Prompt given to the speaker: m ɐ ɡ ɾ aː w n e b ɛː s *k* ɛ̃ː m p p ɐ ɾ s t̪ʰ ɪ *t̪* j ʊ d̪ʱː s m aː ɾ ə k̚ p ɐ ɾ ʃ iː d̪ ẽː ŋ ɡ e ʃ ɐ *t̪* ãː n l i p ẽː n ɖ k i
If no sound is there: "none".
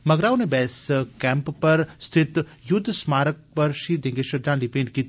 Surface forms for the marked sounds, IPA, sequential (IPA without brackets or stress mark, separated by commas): k, t̪, d̪